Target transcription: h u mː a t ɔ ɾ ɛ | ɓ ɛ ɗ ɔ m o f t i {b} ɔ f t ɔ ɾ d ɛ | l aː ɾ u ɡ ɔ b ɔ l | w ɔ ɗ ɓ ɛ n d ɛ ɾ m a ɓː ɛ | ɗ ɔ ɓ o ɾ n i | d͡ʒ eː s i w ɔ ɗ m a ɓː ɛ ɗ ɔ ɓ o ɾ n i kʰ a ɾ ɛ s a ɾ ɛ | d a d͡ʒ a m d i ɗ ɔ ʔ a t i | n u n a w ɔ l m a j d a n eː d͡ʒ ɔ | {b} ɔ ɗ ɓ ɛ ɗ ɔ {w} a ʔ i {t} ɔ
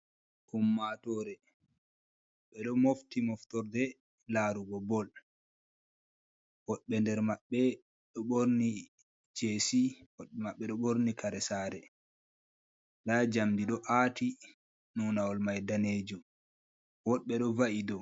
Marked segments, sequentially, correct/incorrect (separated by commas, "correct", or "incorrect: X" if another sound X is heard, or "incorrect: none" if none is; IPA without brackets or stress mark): incorrect: m, incorrect: w, incorrect: v, incorrect: d